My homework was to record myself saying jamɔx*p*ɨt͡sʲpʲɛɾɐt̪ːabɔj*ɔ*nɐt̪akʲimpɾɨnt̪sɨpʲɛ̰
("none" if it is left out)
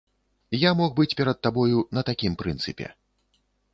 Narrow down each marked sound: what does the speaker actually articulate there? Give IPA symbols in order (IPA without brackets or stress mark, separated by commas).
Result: b, u